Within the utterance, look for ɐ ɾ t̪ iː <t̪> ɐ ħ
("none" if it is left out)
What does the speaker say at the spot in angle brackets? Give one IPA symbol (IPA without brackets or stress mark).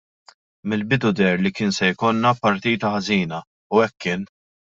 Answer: t̪